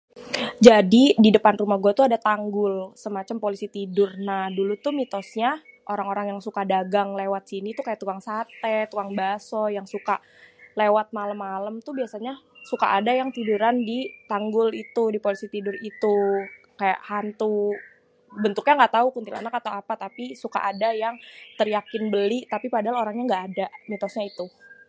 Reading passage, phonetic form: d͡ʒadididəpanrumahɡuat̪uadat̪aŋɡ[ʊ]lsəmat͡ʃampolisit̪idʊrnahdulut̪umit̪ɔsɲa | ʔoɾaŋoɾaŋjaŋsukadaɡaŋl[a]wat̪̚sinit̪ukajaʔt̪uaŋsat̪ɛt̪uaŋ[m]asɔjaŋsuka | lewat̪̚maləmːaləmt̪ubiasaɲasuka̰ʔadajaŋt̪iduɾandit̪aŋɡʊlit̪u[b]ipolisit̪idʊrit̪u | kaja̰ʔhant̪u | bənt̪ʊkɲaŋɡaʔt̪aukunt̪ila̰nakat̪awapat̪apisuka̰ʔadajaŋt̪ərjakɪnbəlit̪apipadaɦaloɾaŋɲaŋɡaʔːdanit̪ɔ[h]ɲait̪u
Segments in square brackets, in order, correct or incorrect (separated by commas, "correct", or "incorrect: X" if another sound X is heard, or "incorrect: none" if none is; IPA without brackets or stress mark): correct, incorrect: e, incorrect: b, incorrect: d, incorrect: s